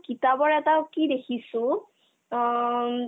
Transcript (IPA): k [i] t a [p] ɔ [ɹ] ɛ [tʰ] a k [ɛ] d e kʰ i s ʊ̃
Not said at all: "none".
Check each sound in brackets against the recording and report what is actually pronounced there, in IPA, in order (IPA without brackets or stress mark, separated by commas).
i, b, ɹ, t, i